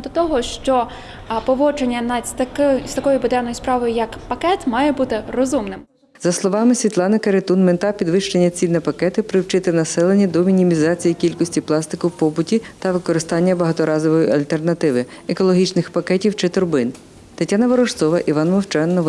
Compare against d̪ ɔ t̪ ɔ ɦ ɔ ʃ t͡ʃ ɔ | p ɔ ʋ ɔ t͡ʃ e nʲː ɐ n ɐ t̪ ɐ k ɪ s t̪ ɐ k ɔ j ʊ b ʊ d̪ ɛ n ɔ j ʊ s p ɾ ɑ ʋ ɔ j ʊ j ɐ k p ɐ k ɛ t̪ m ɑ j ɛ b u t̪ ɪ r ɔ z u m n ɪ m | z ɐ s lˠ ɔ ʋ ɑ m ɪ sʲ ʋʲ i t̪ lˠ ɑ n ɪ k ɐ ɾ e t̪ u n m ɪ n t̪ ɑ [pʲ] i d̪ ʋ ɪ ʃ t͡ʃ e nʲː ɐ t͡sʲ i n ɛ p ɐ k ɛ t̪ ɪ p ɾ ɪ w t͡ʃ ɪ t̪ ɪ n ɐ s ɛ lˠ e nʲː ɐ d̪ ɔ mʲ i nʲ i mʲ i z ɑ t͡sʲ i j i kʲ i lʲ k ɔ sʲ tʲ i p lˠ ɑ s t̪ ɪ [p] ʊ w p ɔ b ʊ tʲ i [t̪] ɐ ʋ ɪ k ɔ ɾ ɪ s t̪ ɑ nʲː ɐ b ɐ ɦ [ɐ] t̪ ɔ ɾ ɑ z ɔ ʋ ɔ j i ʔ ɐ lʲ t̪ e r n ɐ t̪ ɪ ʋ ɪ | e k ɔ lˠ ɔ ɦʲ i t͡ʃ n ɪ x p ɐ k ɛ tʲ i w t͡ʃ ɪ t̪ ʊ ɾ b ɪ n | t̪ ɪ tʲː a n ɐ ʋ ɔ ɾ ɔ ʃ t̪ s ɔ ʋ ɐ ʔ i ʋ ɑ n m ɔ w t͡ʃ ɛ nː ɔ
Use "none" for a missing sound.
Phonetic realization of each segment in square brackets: pʲ, k, t̪, ɐ

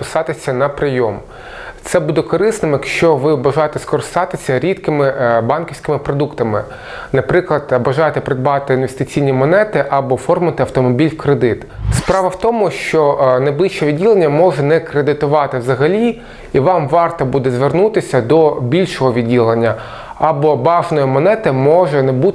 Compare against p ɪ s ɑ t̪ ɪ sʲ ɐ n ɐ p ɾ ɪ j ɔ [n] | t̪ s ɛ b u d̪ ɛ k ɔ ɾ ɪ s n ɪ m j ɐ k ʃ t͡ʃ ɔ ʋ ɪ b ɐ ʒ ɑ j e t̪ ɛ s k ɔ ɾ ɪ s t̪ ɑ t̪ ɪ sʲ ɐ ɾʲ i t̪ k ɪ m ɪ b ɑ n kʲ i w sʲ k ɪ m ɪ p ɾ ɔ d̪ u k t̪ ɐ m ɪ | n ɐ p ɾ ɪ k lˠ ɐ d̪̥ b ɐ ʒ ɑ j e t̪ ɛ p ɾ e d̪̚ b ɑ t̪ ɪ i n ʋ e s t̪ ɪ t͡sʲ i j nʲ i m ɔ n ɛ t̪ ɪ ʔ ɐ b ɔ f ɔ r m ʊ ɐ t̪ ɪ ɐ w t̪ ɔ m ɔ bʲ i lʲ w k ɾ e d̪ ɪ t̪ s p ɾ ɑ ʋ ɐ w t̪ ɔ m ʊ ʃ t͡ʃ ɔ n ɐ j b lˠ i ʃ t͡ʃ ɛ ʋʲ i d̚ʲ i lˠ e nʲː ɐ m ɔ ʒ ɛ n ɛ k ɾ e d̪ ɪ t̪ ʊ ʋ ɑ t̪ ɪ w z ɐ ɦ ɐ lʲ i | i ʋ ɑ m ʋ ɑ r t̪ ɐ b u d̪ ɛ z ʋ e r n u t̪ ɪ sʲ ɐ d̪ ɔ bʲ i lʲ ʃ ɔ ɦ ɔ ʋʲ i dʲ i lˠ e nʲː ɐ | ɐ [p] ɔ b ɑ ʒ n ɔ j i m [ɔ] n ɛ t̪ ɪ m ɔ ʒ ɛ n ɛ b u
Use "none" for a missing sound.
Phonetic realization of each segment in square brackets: m, b, ɔ

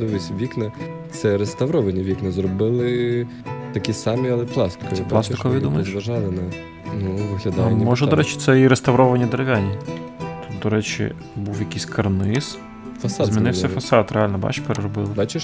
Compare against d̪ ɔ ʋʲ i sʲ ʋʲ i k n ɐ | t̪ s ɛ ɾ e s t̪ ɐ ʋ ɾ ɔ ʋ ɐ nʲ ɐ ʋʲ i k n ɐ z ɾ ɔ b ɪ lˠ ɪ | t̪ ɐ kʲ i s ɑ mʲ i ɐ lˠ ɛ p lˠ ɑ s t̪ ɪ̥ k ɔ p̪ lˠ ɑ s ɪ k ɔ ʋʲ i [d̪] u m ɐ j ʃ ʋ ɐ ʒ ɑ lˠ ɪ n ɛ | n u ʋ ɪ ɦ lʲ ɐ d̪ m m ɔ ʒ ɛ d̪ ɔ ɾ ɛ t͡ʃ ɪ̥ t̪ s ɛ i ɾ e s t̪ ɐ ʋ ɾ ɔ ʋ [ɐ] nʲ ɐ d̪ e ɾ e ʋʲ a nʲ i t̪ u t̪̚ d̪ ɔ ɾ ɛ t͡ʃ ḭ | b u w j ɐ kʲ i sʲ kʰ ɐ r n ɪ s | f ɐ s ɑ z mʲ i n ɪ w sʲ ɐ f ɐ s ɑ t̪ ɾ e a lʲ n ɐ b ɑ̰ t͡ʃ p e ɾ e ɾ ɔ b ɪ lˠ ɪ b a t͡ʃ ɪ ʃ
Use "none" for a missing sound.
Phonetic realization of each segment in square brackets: d̪, ɐ

